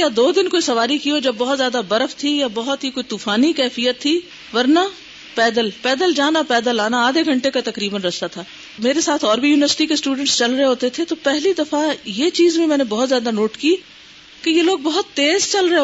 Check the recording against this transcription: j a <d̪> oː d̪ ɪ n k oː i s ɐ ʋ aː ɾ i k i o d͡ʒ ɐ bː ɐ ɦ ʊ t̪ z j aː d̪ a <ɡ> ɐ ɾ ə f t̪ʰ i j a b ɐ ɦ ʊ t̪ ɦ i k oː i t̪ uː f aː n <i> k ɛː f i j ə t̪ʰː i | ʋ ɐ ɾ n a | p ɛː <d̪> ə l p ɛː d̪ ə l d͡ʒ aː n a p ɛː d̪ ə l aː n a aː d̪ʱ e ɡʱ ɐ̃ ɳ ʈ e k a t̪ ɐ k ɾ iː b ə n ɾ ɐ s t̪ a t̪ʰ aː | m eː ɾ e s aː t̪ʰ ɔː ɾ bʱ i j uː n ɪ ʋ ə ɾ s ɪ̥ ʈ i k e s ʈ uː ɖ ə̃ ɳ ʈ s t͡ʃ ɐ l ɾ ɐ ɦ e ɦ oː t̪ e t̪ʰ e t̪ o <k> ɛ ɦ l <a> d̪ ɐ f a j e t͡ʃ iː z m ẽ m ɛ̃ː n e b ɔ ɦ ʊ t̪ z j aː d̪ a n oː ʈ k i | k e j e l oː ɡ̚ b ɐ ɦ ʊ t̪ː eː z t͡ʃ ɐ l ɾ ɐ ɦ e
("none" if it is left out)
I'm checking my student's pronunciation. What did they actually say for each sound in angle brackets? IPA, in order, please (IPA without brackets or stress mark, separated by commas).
d̪, b, i, d̪, p, i